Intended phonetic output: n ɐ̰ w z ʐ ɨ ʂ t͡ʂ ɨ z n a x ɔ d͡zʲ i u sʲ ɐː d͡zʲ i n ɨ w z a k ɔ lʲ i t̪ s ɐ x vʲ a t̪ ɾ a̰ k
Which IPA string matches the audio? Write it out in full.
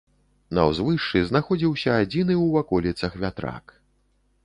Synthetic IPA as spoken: n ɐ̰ w z v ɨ ʂ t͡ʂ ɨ z n a x ɔ d͡zʲ i w sʲ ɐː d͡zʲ i n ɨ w v a k ɔ lʲ i t̪ s ɐ x vʲ a t̪ ɾ a̰ k